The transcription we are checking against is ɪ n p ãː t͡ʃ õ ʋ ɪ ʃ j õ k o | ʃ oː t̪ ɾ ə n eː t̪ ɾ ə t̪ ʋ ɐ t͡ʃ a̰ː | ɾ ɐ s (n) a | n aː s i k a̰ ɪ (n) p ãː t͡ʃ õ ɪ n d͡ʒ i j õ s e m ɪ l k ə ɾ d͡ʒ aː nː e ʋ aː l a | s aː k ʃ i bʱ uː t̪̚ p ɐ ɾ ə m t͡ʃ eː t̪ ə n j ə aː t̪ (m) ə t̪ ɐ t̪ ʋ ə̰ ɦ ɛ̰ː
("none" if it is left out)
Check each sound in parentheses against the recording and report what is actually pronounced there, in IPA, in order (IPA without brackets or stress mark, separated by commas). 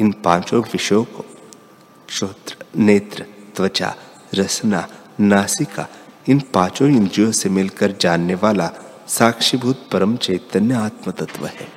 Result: n, n, m